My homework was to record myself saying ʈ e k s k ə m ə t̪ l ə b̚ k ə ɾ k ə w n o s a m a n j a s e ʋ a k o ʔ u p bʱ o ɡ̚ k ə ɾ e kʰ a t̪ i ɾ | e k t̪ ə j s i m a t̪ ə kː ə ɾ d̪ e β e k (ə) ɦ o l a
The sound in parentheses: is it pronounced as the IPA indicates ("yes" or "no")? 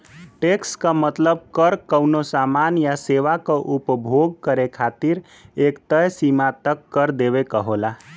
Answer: yes